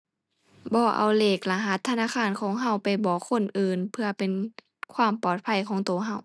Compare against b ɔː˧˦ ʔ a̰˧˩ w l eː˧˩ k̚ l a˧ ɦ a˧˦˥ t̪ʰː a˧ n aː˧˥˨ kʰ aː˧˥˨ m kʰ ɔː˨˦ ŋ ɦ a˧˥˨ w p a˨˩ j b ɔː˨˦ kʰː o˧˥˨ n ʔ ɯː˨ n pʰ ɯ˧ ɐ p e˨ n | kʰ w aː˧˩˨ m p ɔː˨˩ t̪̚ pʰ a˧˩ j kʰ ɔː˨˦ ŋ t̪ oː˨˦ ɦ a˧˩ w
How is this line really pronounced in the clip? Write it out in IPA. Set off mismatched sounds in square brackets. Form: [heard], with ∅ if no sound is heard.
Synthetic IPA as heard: b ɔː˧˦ ʔ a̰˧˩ w l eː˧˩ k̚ l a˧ ɦ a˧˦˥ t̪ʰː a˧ n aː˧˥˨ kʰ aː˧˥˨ [n] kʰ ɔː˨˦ ŋ ɦ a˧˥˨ w p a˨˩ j b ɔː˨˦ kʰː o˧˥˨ n ʔ ɯː˨ n pʰ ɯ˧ ɐ p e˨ n | kʰ w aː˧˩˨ m p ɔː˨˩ t̪̚ pʰ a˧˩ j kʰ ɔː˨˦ ŋ t̪ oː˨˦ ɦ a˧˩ w

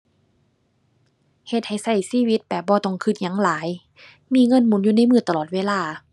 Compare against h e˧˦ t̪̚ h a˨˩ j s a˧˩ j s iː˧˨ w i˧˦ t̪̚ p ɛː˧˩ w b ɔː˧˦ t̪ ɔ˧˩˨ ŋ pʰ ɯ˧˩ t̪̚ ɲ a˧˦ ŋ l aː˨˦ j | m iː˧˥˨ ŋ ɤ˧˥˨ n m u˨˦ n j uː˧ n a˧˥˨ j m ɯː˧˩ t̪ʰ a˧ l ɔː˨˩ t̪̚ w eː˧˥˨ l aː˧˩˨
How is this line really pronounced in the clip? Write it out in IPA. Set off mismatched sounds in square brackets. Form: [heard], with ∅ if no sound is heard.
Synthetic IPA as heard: h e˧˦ t̪̚ h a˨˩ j s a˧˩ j s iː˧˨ w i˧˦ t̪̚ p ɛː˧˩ [∅] b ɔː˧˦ t̪ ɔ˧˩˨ ŋ [kʰ] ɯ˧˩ t̪̚ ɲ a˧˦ ŋ l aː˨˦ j | m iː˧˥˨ ŋ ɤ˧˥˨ n m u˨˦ n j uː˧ n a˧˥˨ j m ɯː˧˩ [t̪] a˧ l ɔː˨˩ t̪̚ w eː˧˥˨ l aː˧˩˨

